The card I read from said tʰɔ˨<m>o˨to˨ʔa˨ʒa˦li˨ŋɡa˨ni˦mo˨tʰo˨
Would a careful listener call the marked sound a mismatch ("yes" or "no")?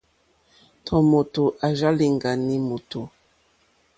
no